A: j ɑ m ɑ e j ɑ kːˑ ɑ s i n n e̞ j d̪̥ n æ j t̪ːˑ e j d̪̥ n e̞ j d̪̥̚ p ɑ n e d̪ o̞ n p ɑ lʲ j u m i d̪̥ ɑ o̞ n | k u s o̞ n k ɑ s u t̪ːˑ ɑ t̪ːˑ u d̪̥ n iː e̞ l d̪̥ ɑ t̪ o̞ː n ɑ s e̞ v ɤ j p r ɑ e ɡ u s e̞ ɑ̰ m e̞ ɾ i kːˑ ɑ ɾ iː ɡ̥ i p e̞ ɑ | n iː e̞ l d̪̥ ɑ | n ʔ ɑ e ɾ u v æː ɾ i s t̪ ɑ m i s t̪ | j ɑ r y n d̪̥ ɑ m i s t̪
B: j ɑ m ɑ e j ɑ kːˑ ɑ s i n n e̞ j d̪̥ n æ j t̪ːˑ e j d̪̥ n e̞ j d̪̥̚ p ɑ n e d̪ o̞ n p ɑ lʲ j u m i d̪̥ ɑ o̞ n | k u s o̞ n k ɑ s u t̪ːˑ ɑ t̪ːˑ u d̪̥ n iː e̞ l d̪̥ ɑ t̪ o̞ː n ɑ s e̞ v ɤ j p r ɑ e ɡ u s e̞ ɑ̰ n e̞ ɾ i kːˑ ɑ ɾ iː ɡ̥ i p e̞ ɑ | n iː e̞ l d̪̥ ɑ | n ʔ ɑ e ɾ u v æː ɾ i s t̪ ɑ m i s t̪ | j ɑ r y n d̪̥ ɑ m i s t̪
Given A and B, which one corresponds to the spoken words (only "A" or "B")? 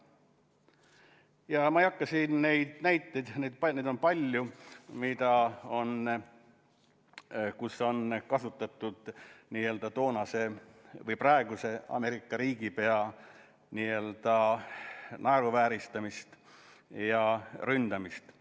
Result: A